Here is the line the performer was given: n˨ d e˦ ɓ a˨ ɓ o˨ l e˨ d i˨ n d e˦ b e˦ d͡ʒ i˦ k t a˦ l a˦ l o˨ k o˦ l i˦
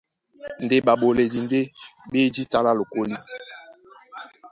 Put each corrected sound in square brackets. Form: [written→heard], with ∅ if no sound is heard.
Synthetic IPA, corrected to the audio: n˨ d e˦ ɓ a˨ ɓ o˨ l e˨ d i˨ n d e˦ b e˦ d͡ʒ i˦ [k→∅] t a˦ l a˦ l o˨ k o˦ l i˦